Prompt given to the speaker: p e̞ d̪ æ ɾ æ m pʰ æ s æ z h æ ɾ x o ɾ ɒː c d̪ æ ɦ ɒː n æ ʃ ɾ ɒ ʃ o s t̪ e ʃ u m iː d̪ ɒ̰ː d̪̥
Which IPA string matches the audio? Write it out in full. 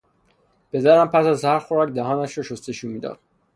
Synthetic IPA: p e̞ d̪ æ ɾ æ m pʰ æ s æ z h æ ɾ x o ɾ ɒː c d̪ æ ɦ ɒː n æ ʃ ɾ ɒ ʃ o s t̪ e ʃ u m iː d̪ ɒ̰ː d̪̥